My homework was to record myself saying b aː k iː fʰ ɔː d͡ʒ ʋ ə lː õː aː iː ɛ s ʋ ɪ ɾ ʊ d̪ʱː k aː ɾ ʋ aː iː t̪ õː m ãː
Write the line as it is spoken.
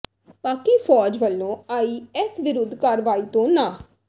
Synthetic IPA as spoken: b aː k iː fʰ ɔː d͡ʒ ʋ ə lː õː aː iː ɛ s ʋ ɪ ɾ ʊ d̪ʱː k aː ɾ ʋ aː iː t̪ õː n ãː